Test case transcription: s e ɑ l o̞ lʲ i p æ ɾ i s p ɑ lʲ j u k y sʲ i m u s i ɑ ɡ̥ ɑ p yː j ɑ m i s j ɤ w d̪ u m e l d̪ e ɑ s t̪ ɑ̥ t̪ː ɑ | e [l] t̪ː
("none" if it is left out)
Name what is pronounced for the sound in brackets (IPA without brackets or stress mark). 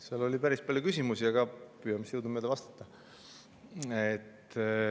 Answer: none